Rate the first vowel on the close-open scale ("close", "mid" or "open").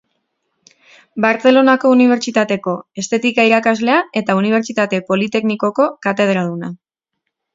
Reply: open